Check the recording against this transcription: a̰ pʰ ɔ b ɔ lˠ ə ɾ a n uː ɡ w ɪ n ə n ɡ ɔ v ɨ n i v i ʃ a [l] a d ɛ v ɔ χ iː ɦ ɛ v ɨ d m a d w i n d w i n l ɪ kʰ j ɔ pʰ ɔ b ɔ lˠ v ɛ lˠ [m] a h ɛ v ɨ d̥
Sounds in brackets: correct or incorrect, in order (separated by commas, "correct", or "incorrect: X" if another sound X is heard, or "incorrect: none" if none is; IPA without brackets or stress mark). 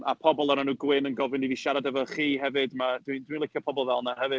incorrect: ɾ, incorrect: n